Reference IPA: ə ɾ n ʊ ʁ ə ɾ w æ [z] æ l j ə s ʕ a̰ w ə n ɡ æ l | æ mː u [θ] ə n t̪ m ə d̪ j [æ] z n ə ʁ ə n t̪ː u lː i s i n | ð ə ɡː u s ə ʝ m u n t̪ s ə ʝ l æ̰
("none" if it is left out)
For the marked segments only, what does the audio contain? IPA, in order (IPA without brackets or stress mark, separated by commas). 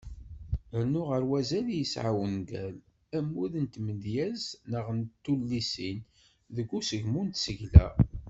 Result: z, ð, æ